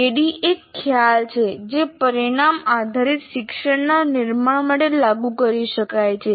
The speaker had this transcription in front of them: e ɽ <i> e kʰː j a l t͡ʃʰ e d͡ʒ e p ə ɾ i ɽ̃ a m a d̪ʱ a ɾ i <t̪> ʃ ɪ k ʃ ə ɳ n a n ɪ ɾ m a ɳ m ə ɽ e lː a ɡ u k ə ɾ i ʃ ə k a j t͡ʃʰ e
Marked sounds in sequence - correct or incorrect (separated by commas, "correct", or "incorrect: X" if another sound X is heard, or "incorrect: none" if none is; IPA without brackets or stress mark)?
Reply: correct, correct